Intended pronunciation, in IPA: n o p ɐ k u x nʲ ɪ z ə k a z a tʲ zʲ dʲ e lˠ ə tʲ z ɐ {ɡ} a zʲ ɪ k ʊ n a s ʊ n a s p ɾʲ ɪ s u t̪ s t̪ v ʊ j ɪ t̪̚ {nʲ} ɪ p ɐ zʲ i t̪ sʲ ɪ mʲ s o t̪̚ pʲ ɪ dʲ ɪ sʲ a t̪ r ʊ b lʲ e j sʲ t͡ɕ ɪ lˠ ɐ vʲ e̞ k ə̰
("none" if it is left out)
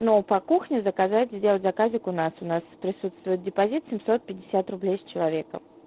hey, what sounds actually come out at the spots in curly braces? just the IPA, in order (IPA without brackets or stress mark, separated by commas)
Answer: k, dʲ